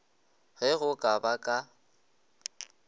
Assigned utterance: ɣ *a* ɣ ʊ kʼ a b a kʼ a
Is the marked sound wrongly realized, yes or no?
yes